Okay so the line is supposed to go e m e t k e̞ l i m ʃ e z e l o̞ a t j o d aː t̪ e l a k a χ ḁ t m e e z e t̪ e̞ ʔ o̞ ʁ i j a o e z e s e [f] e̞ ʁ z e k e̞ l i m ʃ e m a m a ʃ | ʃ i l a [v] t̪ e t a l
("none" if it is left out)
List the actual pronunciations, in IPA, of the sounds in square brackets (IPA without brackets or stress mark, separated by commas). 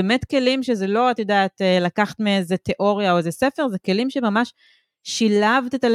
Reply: f, v